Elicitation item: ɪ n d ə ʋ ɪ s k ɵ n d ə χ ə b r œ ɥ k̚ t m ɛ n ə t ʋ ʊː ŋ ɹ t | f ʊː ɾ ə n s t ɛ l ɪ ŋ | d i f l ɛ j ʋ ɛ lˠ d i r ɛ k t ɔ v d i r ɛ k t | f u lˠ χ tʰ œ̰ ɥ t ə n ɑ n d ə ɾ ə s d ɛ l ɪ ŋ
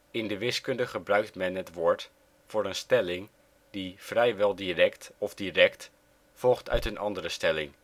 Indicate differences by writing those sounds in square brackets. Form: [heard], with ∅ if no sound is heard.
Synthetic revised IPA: ɪ n d ə ʋ ɪ s k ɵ n d ə χ ə b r œ ɥ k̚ t m ɛ n ə t ʋ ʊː [∅] ɹ t | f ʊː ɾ ə n s t ɛ l ɪ ŋ | d i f [r] ɛ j ʋ ɛ lˠ d i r ɛ k t ɔ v d i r ɛ k t | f [ɔ] lˠ χ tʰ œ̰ ɥ t ə n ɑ n d ə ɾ ə s [t] ɛ l ɪ ŋ

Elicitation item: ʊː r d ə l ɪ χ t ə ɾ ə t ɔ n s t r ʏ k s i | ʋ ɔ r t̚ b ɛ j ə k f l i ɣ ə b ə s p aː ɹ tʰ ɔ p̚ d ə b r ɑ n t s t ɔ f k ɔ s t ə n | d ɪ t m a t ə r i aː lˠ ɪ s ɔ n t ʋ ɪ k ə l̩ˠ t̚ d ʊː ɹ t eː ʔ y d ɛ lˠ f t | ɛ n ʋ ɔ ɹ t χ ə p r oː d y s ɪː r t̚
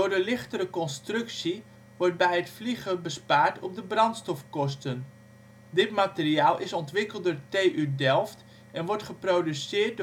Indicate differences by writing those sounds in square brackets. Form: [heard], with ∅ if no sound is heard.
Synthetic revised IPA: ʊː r d ə l ɪ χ t ə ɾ ə [k] ɔ n s t r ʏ k s i | ʋ ɔ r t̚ b ɛ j ə [t] f l i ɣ ə b ə s p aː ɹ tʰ ɔ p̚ d ə b r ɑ n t s t ɔ f k ɔ s t ə n | d ɪ t m a t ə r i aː lˠ ɪ s ɔ n t ʋ ɪ k ə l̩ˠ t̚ d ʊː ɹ t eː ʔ y d ɛ lˠ f t | ɛ n ʋ ɔ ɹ t χ ə p r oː d y s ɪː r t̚

